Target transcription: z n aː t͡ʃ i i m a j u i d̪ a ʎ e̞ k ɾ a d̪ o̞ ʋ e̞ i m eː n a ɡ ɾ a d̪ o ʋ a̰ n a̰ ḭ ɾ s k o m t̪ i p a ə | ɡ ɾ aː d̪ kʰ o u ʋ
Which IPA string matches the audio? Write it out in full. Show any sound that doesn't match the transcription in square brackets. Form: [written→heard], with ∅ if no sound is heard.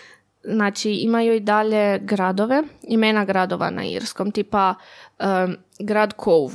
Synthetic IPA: z n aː t͡ʃ i i m a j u i d̪ a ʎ e̞ [k→ɡ] ɾ a d̪ o̞ ʋ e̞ i m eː n a ɡ ɾ a d̪ o ʋ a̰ n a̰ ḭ ɾ s k o m t̪ i p a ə | ɡ ɾ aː d̪ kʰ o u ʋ